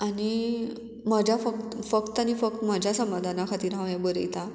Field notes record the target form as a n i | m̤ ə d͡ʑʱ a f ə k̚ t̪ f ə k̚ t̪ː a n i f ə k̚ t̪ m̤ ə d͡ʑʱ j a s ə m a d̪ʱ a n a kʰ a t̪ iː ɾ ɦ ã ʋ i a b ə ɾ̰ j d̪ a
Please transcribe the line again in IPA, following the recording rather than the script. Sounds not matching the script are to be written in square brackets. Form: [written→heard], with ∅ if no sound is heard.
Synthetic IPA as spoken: a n i | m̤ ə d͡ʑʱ a f ə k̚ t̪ f ə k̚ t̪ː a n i f ə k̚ t̪ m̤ ə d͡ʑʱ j a s ə m a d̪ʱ a n a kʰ a t̪ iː ɾ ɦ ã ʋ [i→j] a b ə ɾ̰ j [d̪→t̪] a